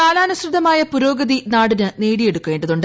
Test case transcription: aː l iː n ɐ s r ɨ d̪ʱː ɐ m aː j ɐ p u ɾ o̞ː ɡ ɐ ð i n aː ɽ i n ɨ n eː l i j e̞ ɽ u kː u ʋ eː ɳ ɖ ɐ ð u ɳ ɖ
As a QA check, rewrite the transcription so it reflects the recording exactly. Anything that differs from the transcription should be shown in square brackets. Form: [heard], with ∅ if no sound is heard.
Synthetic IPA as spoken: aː l [aː] n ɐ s r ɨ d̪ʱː ɐ m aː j ɐ p u ɾ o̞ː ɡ ɐ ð i n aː ɽ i n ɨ n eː [ɽ] i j e̞ ɽ u kː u ʋ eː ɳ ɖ ɐ ð u ɳ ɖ